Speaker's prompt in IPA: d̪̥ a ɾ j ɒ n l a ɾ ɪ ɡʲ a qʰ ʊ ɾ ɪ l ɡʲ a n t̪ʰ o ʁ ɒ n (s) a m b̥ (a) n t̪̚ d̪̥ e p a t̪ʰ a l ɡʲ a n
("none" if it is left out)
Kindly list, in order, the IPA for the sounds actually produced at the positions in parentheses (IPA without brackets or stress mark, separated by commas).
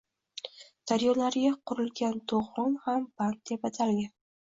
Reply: h, a